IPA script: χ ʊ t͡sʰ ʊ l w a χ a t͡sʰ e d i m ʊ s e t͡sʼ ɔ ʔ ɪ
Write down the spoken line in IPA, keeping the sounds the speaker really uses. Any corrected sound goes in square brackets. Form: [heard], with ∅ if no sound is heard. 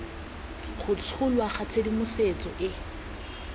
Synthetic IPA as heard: χ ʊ t͡sʰ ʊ l w a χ a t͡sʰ e d i m ʊ s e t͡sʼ ɔ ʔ ɪ